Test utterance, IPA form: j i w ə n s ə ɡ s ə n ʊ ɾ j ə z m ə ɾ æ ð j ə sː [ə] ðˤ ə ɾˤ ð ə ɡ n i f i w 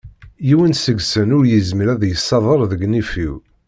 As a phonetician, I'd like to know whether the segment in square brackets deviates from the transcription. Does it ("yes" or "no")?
yes